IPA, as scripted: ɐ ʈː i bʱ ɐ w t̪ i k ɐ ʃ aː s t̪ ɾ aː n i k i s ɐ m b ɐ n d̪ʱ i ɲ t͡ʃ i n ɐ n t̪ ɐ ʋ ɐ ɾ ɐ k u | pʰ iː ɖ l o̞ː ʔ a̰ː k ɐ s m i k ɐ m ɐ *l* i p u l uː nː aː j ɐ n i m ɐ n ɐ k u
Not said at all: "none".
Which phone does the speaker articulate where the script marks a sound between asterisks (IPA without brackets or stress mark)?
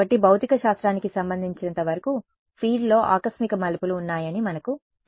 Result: l